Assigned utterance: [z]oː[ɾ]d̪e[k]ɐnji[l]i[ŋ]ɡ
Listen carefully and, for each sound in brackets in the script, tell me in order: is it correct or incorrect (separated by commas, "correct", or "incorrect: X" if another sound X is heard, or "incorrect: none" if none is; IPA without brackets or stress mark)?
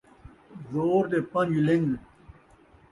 correct, correct, incorrect: p, correct, correct